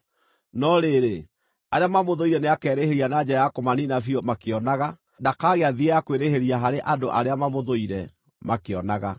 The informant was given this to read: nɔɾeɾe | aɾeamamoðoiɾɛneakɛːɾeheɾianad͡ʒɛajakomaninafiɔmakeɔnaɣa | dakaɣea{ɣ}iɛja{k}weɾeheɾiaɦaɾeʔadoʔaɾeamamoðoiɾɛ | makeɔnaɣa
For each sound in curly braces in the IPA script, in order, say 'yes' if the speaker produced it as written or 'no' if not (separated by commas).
no, yes